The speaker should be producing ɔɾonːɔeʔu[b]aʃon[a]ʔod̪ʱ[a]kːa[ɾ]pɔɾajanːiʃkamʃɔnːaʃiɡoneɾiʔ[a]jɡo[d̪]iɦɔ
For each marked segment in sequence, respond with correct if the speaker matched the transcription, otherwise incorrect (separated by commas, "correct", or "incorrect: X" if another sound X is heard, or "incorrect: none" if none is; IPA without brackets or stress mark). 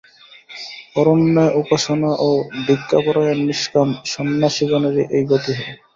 incorrect: p, correct, incorrect: i, incorrect: none, incorrect: e, incorrect: t̪